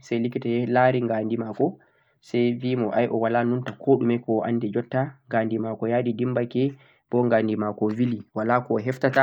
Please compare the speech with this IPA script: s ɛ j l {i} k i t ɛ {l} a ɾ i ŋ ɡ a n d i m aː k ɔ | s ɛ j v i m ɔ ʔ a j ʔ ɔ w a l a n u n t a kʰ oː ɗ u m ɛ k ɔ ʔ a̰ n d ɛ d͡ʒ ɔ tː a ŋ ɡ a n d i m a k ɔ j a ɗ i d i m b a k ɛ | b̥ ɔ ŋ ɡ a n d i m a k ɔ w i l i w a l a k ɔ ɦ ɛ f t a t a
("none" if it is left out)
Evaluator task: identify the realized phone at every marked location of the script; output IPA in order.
i, l

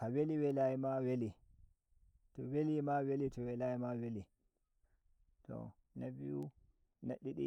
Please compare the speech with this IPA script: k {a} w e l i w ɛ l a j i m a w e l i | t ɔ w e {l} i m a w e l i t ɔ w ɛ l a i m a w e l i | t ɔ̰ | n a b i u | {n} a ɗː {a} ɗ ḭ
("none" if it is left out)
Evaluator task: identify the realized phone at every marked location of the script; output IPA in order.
a, l, n, i

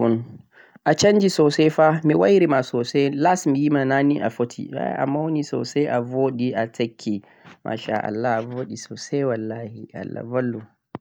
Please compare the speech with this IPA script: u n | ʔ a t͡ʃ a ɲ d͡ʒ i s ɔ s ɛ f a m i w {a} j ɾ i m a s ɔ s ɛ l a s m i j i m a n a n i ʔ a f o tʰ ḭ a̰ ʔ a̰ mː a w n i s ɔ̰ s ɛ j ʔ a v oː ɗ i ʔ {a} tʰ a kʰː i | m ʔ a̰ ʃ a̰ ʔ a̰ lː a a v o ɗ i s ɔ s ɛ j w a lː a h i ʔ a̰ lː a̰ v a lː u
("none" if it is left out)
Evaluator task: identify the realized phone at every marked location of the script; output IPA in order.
a, a

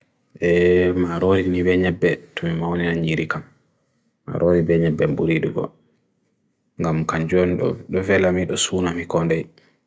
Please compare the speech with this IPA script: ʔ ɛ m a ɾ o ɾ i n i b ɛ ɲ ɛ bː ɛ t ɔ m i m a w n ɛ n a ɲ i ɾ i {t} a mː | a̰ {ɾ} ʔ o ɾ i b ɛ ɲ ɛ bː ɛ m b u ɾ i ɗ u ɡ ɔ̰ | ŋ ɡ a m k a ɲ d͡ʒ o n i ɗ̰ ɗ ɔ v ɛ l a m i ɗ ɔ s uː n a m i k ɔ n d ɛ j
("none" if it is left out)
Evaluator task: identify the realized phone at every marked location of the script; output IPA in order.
k, ɾ

